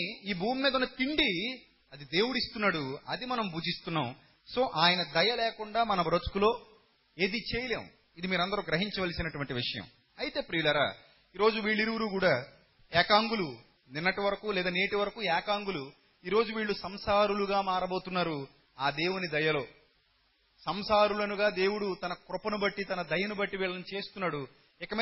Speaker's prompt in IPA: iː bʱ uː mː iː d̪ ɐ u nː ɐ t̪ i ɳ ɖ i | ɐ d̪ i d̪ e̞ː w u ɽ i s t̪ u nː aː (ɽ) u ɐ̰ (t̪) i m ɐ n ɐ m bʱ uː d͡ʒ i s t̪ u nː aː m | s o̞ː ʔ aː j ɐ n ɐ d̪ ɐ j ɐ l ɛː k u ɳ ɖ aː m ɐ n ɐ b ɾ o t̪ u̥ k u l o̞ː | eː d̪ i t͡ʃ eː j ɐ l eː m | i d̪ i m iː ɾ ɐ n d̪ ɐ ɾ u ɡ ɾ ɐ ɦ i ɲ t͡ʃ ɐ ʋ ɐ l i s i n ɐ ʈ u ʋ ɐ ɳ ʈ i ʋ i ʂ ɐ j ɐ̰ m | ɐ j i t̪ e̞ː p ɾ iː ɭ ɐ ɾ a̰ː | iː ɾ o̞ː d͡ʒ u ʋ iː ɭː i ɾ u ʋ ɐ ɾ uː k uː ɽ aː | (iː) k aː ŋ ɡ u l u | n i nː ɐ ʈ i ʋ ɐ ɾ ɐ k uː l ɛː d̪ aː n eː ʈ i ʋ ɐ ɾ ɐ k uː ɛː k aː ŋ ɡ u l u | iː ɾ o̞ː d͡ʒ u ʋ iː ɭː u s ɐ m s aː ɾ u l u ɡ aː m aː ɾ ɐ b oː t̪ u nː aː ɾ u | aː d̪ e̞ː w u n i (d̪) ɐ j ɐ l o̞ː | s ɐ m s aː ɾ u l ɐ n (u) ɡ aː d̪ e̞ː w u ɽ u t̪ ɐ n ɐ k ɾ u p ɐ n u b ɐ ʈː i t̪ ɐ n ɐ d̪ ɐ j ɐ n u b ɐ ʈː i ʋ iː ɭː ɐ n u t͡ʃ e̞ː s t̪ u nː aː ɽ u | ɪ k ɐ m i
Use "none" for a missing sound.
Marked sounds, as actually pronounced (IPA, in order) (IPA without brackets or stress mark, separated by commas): ɽ, d̪, ɛː, d̪, u